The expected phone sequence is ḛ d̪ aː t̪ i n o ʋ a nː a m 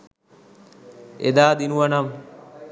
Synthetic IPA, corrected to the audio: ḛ d̪ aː d̪ i n u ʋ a n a m